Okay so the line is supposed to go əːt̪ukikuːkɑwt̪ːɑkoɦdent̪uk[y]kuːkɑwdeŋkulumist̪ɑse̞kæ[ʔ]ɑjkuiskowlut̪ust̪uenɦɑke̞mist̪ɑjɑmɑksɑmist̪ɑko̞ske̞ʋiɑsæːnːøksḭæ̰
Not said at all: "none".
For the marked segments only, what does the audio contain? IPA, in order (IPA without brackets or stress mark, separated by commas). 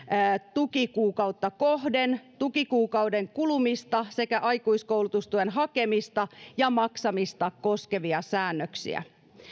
i, ʔ